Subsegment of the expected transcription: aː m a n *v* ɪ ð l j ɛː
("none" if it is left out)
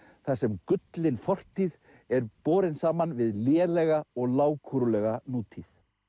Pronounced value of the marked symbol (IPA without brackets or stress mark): v